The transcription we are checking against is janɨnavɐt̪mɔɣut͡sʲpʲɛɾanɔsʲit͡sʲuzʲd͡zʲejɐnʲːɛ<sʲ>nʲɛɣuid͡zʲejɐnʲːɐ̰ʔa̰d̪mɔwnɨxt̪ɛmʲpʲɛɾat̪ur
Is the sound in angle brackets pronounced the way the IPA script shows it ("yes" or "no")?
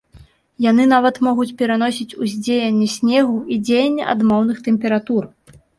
yes